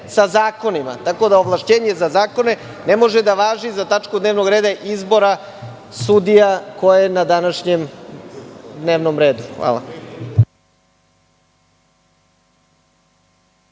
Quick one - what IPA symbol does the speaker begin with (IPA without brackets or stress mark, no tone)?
s